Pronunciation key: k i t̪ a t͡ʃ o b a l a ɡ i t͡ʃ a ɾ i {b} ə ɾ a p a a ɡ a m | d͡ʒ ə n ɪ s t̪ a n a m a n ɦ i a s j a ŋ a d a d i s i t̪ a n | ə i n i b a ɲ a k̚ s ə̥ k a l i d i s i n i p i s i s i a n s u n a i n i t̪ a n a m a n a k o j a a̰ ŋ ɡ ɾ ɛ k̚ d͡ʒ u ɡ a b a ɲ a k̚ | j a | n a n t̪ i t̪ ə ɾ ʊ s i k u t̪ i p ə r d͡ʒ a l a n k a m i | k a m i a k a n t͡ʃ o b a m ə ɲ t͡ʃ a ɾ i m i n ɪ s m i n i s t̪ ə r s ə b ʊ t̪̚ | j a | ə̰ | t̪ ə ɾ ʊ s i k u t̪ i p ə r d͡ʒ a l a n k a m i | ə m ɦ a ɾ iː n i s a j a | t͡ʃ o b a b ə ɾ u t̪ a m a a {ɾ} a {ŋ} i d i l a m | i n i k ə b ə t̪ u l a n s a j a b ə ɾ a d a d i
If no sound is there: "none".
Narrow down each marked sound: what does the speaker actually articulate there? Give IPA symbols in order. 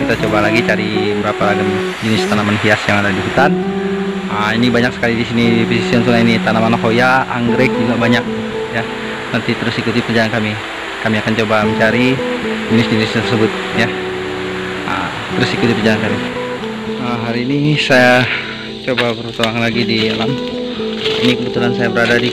b, l, ɡ

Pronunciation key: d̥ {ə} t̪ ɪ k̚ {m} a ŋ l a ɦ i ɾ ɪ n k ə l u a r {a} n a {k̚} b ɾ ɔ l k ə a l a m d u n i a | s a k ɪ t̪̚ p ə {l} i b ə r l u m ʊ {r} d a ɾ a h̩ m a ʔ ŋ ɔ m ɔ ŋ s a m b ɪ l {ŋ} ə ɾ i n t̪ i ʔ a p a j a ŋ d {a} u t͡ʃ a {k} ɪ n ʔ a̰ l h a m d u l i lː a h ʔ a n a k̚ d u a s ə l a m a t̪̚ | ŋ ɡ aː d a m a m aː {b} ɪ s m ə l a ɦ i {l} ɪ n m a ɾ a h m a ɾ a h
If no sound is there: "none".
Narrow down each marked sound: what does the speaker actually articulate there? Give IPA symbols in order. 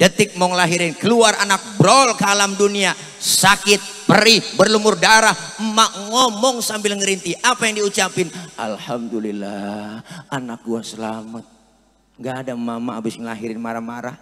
ə, m, a, k̚, ɾ, r, ŋ, i, p, b, ɾ

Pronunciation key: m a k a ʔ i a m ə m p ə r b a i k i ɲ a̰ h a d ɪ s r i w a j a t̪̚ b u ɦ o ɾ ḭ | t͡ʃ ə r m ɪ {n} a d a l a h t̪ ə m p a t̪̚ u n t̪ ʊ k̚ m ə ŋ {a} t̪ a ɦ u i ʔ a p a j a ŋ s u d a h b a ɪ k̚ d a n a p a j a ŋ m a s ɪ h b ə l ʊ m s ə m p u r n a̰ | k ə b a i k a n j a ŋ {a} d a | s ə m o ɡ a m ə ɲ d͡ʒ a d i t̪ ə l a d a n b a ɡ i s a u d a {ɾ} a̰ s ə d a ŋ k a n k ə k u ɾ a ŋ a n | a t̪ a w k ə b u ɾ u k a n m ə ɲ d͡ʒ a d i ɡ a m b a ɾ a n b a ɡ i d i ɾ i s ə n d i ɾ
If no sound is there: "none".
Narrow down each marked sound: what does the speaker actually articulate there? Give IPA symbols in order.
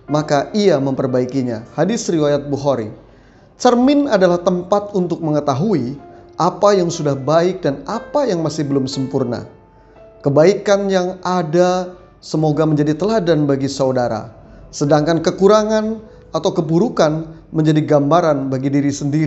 n, ə, a, ɾ

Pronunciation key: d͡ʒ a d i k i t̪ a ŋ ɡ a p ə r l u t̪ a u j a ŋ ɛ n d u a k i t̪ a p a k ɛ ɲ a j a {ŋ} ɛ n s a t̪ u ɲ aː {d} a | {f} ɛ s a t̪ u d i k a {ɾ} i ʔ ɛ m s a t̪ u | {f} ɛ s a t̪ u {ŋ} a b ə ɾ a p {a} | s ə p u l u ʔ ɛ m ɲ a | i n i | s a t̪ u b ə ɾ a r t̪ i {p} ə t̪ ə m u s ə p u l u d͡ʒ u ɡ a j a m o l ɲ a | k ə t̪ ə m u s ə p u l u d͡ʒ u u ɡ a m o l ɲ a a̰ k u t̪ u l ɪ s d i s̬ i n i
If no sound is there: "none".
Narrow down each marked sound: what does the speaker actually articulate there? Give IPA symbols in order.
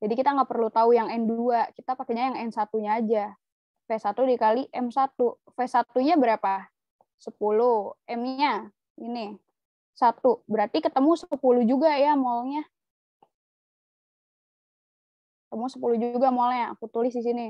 ŋ, d͡ʒ, f, l, f, ɲ, a, k

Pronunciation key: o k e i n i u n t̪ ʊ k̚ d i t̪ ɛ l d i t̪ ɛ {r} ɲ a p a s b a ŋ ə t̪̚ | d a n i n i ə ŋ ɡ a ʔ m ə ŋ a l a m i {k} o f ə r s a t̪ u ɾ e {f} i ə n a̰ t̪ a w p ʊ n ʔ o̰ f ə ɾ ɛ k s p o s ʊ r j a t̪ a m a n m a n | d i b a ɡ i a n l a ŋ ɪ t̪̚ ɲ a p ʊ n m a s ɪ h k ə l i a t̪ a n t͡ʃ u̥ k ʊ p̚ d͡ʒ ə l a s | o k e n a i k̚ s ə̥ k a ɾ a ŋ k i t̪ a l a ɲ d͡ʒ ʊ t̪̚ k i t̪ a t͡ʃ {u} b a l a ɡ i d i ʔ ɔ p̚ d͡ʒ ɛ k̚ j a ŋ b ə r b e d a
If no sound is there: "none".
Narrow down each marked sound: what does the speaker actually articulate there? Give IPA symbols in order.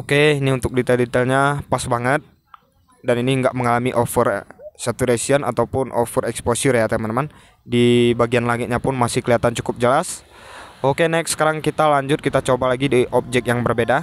l, ʔ, s, o

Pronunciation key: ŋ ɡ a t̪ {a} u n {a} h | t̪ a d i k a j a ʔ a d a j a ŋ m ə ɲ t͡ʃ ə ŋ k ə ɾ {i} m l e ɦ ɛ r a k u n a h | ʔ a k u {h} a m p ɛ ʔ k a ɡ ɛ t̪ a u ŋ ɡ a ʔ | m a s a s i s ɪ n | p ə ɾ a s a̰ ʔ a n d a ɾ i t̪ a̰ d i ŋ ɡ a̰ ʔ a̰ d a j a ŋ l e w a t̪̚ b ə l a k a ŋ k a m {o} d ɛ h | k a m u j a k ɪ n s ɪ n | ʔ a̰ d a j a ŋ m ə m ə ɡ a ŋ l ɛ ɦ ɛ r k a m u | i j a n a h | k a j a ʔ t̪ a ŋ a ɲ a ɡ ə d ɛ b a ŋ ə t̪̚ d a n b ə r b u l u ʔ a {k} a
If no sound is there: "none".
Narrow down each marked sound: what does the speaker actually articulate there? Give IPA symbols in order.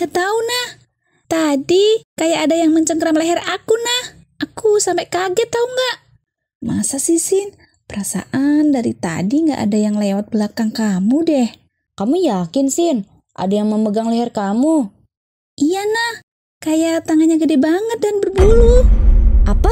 a, a, a, s, u, p

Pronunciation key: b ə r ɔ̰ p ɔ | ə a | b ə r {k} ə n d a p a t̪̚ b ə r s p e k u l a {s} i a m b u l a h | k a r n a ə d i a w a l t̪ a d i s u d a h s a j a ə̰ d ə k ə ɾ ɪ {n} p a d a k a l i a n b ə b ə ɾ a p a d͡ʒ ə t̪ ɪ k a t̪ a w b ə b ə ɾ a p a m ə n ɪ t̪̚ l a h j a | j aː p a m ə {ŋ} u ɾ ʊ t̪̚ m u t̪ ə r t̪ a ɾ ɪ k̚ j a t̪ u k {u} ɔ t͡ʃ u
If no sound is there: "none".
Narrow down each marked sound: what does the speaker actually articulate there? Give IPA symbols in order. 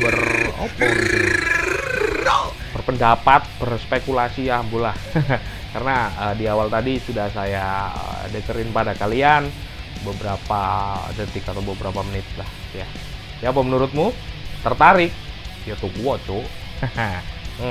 p, s, n, n, u

